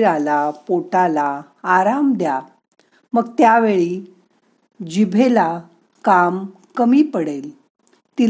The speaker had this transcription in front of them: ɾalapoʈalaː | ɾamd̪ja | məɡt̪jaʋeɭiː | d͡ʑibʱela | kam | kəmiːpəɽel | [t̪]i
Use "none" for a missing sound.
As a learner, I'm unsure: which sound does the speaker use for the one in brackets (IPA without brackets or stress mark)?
t̪